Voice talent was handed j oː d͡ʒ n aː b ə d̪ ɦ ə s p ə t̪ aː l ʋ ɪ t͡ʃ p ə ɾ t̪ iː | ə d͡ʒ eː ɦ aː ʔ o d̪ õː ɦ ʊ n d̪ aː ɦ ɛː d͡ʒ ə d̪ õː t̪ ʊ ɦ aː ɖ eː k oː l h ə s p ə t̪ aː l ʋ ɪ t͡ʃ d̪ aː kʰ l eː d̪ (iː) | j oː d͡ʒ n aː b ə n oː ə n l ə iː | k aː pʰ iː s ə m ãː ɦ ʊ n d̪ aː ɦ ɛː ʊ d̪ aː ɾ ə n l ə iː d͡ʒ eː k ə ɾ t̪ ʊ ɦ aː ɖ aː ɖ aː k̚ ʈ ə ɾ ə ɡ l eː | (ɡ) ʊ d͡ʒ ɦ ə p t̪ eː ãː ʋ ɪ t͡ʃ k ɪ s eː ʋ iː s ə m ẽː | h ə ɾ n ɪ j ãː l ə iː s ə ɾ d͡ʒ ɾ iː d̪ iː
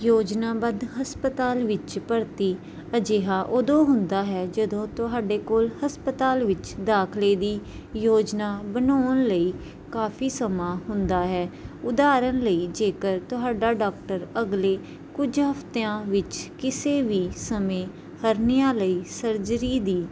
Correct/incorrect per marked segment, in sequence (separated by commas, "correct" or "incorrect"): correct, incorrect